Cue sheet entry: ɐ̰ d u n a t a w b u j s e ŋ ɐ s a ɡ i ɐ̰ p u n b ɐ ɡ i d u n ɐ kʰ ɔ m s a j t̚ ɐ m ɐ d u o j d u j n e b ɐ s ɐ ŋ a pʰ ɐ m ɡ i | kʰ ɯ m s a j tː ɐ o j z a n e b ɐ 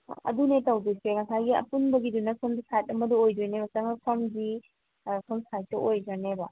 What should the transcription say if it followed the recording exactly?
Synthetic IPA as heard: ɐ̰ d u n e t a w d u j s e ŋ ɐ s a ɡ i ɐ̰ p u n b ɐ ɡ i d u n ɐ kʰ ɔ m s a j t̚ ɐ m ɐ d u o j d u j n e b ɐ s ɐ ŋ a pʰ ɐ m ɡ i | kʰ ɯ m s a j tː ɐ o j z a n e b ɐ